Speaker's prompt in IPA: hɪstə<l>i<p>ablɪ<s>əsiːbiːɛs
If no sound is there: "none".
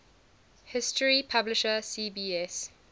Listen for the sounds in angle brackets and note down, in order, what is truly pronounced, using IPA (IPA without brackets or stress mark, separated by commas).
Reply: ɹ, pʰ, ʃ